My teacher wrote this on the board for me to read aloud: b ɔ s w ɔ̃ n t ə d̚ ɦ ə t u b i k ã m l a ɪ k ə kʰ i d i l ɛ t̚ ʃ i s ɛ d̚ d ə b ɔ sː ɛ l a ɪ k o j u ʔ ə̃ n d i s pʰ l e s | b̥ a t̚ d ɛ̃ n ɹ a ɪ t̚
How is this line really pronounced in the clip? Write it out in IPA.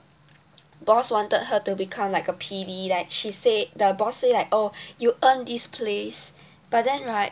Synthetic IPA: b ɔ s w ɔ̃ n t ə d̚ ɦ ə t u b i kʰ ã m l a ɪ k ə pʰ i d i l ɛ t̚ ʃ i s e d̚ d ə b ɔ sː e l a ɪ k o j u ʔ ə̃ n d i s pʰ l e s | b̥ a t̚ d ɛ̃ n ɹ a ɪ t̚